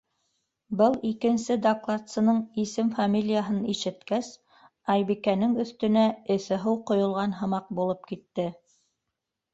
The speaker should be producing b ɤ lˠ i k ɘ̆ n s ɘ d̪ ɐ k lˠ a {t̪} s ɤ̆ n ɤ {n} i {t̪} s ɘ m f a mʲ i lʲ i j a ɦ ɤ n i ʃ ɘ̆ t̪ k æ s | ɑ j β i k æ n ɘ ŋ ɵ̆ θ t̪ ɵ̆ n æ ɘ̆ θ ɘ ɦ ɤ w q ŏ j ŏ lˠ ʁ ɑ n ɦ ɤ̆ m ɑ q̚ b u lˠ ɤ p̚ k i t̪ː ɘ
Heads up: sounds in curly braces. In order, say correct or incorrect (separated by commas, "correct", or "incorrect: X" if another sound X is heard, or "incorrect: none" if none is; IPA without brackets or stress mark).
correct, incorrect: ɴ, incorrect: none